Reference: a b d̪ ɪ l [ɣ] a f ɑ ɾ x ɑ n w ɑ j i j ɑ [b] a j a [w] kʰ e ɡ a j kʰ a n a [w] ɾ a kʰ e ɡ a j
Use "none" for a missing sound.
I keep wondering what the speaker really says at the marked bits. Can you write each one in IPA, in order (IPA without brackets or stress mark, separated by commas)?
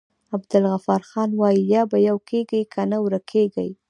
ɣ, b, w, w